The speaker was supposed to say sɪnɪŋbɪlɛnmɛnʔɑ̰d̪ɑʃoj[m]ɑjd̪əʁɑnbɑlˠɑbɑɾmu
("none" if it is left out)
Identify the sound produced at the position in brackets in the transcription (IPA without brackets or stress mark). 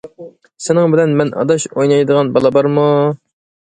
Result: n